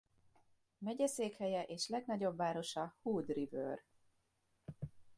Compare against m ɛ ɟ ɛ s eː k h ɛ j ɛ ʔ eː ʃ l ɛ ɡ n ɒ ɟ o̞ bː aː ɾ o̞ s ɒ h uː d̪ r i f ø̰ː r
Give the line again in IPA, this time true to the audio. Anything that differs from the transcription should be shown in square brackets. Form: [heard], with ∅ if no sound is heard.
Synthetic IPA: m ɛ ɟ ɛ s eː k h ɛ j ɛ ʔ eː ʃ l ɛ ɡ n ɒ ɟ o̞ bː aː ɾ o̞ [ʃ] ɒ h uː d̪ r i [v] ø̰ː r

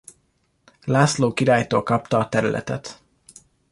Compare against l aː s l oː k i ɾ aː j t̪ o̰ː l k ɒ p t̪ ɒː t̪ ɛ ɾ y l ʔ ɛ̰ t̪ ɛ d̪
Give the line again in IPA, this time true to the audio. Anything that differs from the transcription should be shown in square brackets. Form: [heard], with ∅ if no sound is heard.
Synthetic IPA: l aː s l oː k i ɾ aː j t̪ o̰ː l k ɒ p t̪ ɒː t̪ ɛ ɾ y l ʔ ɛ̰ t̪ ɛ [t̪]

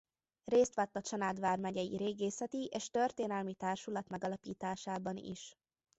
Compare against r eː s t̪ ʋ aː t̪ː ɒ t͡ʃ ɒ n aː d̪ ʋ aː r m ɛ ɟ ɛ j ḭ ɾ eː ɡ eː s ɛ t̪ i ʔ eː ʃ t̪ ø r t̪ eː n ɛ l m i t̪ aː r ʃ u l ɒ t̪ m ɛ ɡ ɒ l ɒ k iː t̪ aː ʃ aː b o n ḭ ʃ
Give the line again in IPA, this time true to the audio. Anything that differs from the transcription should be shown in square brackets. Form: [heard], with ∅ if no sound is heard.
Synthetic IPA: r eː s t̪ ʋ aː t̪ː ɒ t͡ʃ ɒ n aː d̪ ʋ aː r m ɛ ɟ ɛ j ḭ ɾ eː ɡ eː s ɛ t̪ i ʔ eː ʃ t̪ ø r t̪ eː n ɛ l m i t̪ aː r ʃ u l ɒ t̪ m ɛ ɡ ɒ l ɒ [p] iː t̪ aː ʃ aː b [ɒ] n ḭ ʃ

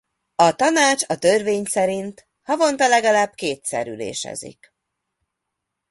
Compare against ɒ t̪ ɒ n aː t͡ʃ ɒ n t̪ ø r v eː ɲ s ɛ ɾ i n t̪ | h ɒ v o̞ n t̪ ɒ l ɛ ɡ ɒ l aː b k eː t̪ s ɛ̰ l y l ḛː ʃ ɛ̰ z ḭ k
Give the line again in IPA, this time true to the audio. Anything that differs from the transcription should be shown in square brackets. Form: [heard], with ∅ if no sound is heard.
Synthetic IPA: ɒ t̪ ɒ n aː t͡ʃ ɒ [∅] t̪ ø r v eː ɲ s ɛ ɾ i n t̪ | h ɒ v o̞ n t̪ ɒ l ɛ ɡ ɒ l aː b k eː t̪ s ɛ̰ [ɾ] y l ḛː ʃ ɛ̰ z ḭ k

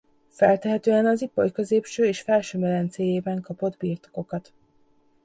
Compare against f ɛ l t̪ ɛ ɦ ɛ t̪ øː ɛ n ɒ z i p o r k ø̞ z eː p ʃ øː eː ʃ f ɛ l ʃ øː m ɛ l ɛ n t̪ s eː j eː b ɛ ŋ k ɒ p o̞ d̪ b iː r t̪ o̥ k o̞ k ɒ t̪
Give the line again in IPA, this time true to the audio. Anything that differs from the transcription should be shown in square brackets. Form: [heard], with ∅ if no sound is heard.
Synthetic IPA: f ɛ l t̪ ɛ ɦ ɛ t̪ øː ɛ n ɒ z i p o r k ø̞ z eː p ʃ øː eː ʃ f ɛ l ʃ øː m ɛ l ɛ n t̪ s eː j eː b ɛ ŋ k ɒ p o̞ d̪ b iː r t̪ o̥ k o̞ k ɒ t̪

